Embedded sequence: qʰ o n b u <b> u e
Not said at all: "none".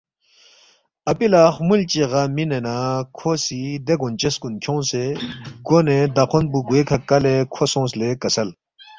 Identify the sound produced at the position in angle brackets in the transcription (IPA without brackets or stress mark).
ɡ